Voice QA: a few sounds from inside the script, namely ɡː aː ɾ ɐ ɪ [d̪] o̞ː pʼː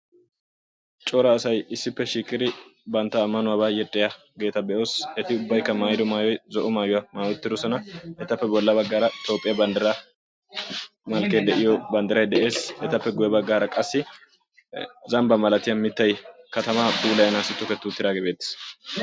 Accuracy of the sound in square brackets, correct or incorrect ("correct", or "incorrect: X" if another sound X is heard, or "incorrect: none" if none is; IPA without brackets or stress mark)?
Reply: incorrect: t̪